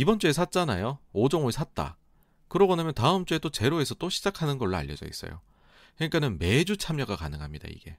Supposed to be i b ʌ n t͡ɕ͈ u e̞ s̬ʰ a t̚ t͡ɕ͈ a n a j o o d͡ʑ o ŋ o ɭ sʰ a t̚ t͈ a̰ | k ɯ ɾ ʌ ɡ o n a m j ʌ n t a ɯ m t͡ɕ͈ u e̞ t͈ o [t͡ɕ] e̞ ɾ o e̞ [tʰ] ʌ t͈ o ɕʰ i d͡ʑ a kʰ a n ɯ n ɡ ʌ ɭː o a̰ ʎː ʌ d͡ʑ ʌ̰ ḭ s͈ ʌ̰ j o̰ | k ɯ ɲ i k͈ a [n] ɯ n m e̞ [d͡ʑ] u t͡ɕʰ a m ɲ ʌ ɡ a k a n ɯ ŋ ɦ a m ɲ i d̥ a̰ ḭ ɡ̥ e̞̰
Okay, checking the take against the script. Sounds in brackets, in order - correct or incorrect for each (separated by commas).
correct, incorrect, correct, correct